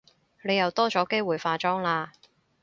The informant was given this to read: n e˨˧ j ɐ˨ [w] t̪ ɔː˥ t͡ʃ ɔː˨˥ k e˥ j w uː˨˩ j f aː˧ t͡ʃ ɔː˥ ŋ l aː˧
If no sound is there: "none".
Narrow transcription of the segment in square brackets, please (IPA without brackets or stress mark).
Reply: w